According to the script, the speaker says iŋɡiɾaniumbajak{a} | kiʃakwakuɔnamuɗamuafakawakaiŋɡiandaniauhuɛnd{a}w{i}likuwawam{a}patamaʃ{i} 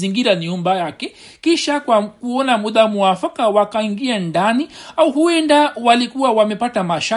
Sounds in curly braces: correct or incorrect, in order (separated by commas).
incorrect, correct, incorrect, incorrect, incorrect